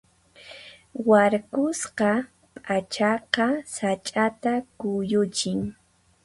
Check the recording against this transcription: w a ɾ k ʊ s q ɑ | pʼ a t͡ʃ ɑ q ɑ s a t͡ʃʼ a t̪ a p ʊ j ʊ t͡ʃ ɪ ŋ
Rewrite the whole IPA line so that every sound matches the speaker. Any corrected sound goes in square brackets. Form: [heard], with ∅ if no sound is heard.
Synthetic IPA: w a ɾ k ʊ s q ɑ | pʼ a t͡ʃ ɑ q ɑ s a t͡ʃʼ a t̪ a [k] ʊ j ʊ t͡ʃ ɪ ŋ